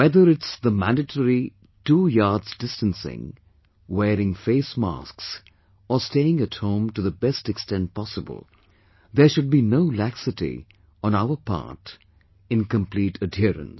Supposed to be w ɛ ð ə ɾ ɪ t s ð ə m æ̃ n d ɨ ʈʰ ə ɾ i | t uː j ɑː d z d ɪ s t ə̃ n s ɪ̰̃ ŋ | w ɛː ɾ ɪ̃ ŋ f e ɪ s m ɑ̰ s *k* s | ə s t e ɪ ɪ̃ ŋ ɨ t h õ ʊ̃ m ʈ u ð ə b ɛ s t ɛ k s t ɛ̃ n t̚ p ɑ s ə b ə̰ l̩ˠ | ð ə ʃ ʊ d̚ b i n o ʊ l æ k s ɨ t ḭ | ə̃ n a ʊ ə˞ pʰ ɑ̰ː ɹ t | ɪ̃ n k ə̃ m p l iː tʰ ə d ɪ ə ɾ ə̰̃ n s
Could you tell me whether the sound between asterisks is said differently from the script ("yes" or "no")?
no